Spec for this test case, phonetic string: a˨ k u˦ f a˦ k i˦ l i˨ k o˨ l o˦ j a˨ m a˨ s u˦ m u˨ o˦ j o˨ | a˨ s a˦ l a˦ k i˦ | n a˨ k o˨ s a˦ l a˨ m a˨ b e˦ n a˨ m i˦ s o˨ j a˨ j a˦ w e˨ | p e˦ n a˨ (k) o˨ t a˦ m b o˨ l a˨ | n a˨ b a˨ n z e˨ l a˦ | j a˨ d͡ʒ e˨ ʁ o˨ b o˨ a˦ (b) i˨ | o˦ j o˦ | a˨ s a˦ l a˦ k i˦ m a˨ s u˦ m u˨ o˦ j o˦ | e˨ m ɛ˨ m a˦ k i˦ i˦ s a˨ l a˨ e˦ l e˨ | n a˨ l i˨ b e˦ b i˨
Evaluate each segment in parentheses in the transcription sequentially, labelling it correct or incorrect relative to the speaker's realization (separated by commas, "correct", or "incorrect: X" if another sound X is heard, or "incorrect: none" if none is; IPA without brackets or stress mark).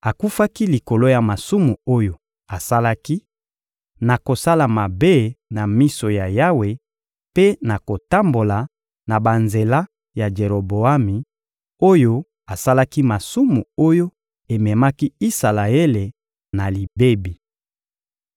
correct, incorrect: m